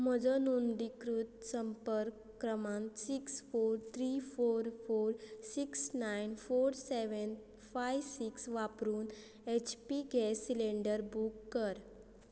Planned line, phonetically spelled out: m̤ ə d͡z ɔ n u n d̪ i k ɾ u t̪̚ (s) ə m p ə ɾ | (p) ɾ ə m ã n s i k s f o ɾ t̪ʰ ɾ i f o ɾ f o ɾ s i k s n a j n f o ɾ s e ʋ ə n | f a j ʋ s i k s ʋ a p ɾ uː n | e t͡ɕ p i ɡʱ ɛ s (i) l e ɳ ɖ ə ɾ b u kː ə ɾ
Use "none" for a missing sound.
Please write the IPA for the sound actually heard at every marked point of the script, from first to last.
s, k, i

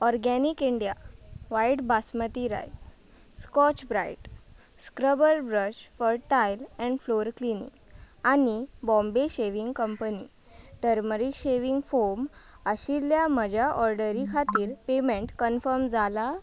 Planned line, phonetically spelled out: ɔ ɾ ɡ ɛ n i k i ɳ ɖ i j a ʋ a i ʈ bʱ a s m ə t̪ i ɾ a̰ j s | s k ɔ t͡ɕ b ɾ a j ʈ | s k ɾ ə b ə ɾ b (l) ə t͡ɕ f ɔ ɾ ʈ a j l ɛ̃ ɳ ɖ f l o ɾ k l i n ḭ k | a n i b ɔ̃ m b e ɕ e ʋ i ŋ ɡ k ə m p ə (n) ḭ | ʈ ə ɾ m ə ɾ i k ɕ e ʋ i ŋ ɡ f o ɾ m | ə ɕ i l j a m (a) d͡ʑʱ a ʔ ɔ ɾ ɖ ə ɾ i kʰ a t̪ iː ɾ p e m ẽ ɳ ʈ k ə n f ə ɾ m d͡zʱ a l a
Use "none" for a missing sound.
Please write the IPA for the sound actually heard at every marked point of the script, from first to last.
ɾ, n, ə

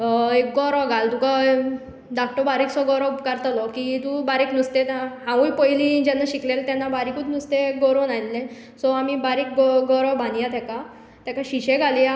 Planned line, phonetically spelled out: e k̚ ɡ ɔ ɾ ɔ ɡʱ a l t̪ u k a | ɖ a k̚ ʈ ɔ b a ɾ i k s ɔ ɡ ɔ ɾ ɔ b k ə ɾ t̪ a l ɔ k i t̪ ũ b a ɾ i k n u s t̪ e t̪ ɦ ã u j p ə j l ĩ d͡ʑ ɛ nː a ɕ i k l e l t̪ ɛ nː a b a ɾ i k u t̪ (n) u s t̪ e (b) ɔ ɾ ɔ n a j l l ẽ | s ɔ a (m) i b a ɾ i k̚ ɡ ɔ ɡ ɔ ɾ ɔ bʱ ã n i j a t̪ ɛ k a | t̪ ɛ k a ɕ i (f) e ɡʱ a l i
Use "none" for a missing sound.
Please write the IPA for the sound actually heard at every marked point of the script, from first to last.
n, ɡ, m, ɕ

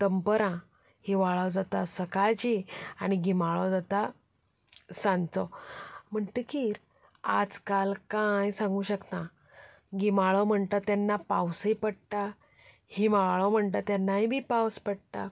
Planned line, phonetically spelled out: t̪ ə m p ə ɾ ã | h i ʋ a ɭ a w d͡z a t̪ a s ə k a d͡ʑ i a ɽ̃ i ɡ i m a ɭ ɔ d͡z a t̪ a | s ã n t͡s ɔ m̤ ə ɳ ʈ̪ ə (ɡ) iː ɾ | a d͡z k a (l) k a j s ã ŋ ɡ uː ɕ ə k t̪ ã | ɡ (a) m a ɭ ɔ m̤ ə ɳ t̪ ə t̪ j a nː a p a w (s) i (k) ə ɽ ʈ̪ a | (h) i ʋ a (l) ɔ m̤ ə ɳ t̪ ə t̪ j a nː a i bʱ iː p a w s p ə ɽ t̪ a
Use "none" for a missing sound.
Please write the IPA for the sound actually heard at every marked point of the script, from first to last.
k, l, i, s, p, h, ɭ

